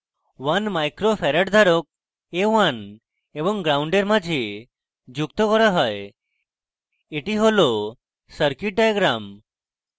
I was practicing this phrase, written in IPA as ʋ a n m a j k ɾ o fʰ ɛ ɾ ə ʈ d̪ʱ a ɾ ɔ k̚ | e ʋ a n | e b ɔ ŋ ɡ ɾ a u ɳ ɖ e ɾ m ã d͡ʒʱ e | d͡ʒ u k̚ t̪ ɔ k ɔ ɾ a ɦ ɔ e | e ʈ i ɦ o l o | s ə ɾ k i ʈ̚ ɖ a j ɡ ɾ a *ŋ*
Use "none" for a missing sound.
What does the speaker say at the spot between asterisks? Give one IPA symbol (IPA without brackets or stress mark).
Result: m